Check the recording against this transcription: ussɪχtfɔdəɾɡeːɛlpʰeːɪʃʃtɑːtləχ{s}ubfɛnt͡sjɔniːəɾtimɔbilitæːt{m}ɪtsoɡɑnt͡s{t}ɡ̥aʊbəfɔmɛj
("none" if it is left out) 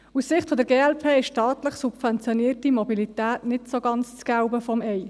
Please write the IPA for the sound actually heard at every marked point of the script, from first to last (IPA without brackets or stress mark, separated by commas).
s, n, t͡s